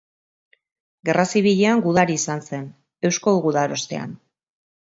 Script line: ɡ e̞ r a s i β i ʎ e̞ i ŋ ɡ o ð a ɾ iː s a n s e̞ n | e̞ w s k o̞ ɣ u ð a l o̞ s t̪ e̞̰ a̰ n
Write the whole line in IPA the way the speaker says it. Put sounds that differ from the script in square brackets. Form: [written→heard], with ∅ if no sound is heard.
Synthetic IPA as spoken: ɡ e̞ r a s i β i ʎ e̞ [i→a] ŋ ɡ [o→u] ð a ɾ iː s a n s e̞ n | e̞ w s k o̞ ɣ u ð a [l→ɾ] o̞ s t̪ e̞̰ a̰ n